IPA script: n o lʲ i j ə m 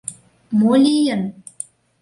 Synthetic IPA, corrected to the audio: m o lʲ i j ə n